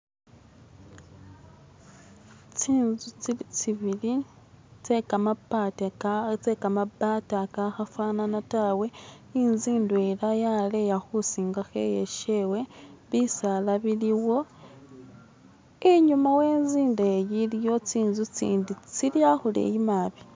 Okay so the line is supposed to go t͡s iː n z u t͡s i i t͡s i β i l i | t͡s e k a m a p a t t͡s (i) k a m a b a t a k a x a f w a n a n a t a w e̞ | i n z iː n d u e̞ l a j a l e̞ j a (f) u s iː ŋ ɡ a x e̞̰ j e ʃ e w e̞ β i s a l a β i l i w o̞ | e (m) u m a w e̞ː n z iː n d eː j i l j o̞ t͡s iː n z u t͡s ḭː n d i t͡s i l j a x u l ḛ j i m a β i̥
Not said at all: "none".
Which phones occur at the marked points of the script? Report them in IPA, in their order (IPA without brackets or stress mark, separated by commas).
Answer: e, x, ɲ